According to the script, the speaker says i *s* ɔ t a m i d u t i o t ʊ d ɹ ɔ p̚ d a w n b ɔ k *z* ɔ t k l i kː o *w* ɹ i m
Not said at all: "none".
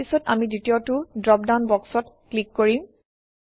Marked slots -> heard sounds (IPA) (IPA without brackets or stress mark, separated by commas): s, s, none